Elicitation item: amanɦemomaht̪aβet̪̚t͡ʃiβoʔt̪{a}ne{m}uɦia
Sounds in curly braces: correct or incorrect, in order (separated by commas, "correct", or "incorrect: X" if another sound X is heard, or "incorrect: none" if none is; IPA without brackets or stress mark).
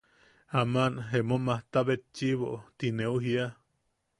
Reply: incorrect: i, incorrect: none